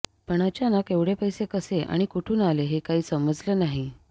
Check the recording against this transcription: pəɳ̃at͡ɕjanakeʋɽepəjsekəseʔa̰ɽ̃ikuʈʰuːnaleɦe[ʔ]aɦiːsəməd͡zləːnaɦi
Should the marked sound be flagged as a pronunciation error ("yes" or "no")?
yes